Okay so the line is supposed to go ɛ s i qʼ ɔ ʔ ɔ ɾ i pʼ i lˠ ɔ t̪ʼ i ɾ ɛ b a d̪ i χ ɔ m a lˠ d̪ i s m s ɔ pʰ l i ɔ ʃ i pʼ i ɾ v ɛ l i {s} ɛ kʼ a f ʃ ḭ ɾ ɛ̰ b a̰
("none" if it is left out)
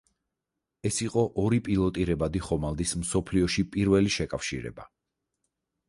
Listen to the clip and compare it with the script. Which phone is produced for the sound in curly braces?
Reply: ʃ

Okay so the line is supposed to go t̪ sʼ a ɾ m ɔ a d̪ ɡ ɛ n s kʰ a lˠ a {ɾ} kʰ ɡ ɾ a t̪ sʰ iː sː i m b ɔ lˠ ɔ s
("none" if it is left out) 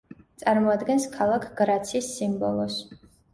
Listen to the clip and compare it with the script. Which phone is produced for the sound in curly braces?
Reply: none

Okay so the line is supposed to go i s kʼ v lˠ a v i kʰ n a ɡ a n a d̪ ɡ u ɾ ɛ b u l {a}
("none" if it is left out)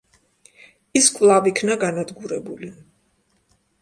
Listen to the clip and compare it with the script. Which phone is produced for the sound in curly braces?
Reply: i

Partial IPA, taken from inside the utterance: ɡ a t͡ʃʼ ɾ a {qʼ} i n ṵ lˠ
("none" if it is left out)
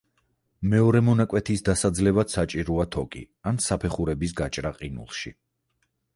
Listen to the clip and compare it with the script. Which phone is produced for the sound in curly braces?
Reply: qʼ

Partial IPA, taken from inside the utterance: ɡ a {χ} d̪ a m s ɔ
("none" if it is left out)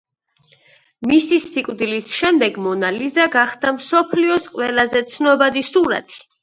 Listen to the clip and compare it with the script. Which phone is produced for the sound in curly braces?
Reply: χ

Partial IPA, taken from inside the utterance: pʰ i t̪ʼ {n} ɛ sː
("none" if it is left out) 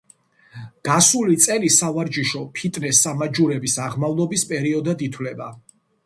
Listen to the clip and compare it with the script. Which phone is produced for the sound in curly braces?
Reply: n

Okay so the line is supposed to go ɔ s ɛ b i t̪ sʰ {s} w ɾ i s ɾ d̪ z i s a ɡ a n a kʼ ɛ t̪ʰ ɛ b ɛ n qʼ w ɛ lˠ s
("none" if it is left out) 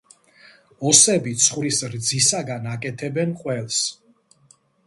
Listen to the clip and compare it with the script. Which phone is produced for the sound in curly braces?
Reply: χ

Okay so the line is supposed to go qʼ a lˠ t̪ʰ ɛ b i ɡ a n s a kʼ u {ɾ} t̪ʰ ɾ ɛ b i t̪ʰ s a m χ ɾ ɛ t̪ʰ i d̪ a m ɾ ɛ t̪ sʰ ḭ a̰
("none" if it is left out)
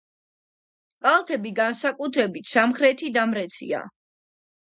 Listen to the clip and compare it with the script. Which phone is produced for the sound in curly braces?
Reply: none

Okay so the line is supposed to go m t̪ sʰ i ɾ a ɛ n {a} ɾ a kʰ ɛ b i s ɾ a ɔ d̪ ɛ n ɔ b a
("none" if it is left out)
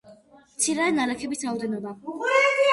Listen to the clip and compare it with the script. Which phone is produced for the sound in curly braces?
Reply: a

